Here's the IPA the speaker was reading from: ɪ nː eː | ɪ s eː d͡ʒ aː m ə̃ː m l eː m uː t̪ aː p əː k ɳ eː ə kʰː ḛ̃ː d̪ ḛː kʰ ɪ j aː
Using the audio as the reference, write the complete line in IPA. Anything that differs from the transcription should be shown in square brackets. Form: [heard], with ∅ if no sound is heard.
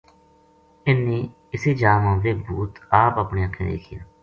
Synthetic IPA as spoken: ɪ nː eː | ɪ s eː d͡ʒ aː m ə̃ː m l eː [b] uː t̪ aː p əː [p] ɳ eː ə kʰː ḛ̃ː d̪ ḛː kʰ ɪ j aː